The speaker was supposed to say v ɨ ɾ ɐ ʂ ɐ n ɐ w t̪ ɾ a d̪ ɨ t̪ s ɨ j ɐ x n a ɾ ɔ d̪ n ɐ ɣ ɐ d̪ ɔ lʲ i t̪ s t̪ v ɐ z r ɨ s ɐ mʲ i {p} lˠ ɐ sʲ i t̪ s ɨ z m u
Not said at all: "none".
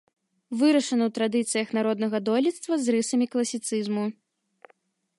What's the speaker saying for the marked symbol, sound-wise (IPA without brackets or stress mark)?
k